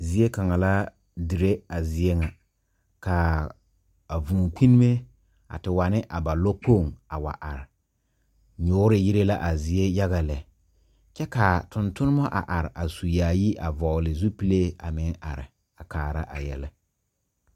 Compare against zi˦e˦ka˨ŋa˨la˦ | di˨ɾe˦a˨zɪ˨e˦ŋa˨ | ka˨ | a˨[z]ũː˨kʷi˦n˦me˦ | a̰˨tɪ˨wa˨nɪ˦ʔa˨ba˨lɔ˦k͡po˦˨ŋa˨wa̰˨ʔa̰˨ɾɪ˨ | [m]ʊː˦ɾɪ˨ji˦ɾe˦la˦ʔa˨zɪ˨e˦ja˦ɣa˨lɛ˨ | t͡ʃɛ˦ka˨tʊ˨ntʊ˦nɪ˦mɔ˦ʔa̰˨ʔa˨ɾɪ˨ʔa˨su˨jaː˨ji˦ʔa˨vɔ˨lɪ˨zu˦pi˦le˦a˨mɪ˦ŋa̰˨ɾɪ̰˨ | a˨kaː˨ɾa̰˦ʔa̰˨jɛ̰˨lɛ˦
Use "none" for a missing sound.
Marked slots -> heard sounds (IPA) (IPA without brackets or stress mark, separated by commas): v, ɲ